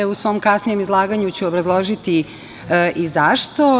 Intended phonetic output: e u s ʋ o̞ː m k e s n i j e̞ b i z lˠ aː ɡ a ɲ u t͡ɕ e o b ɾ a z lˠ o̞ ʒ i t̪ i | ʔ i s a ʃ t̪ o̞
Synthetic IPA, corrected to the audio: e u s ʋ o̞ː m k a s n i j e̞ m i z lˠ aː ɡ a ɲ u t͡ɕ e o b ɾ a z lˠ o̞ ʒ i t̪ i | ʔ i z a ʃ t̪ o̞